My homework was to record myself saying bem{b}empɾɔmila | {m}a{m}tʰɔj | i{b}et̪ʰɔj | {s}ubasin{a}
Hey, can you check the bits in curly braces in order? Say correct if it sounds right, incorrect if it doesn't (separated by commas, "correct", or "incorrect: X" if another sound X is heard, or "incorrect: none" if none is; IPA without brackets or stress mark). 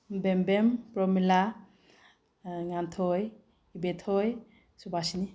correct, incorrect: ŋ, incorrect: n, correct, correct, incorrect: i